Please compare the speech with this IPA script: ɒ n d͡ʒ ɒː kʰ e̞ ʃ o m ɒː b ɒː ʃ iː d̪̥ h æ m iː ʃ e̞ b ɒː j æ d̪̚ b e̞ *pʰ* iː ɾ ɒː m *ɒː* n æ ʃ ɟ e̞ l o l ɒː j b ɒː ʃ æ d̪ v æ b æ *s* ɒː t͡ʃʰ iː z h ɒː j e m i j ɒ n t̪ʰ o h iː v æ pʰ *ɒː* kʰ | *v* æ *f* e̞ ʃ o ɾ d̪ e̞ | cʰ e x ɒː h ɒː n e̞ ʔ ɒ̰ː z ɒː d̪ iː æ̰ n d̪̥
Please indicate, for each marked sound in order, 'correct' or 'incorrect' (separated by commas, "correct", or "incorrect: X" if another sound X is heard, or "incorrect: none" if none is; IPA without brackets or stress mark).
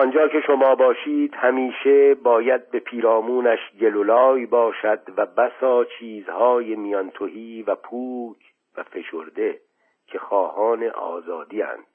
correct, incorrect: uː, correct, incorrect: uː, correct, correct